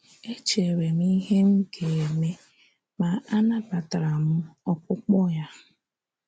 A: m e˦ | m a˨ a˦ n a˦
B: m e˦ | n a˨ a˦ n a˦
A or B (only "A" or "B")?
A